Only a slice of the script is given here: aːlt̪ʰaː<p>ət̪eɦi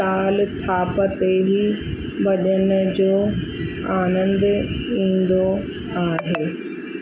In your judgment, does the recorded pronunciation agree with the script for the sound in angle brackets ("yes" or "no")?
yes